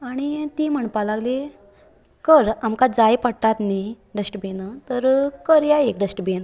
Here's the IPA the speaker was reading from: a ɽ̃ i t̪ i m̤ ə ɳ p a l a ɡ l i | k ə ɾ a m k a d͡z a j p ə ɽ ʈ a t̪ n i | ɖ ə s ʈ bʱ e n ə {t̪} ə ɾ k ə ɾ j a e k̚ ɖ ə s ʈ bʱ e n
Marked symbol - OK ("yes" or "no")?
yes